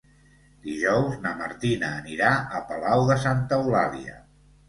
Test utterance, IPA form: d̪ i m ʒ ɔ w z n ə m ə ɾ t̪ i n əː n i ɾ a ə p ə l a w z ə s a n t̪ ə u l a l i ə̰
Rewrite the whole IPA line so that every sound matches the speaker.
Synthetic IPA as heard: d̪ i ʒ ɔ w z n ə m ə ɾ t̪ i n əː n i ɾ a ə p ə l a w ð ə s a n t̪ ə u l a l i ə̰